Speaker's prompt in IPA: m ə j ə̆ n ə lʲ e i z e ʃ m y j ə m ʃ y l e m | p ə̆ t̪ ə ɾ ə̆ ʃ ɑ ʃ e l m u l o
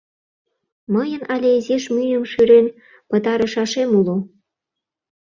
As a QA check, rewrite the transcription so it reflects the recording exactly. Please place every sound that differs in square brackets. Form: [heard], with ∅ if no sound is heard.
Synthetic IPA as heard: m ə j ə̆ n [ɑ] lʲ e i z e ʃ m y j ə m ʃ y [ɾ] e [n] | p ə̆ t̪ [ɑ] ɾ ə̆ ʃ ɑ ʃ e [∅] m u l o